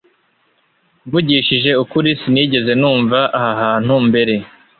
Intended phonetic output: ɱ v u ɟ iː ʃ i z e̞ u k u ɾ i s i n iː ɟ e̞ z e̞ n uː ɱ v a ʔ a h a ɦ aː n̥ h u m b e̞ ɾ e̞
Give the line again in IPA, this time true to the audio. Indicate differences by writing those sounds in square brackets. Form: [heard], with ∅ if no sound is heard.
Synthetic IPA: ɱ v u ɟ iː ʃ i [ʒ] e̞ u k u ɾ i s i n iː ɟ e̞ z e̞ n uː ɱ v a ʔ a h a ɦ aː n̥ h u m b e̞ ɾ e̞